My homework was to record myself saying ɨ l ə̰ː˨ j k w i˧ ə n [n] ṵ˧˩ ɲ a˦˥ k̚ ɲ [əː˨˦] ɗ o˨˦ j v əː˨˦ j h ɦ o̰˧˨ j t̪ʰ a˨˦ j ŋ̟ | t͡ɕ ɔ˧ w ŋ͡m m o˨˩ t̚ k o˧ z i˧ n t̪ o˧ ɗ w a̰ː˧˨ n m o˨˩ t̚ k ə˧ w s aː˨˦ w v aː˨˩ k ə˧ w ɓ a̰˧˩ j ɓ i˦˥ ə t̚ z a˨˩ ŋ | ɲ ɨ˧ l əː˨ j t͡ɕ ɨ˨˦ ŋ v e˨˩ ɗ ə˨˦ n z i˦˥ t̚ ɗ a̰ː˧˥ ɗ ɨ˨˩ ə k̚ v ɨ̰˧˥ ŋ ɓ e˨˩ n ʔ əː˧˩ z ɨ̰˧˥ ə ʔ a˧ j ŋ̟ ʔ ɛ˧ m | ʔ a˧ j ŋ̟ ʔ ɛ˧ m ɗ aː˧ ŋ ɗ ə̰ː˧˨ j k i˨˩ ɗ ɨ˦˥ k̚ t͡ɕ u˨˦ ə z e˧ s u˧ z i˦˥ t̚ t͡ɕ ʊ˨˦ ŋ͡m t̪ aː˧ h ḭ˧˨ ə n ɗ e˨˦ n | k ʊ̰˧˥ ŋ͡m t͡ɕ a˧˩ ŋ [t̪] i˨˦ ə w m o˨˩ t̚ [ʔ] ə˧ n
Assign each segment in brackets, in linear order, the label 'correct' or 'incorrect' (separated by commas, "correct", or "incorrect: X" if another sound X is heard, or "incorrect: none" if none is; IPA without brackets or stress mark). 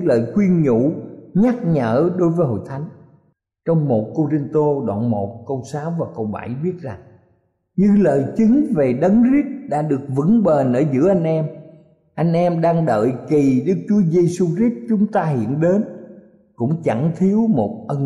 incorrect: ɲ, incorrect: əː˧˩, incorrect: t̪ʰ, correct